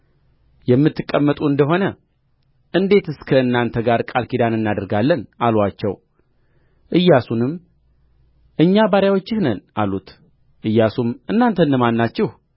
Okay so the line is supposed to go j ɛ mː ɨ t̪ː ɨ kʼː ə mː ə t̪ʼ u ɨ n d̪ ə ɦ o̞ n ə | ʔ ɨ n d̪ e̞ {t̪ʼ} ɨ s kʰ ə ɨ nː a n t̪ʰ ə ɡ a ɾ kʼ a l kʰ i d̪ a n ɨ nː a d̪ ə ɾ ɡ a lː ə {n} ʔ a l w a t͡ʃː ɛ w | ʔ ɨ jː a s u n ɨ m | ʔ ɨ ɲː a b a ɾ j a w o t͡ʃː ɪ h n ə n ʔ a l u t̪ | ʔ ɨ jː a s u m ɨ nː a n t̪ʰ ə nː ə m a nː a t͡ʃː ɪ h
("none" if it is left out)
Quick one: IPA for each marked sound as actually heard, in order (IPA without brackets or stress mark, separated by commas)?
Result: t̪, n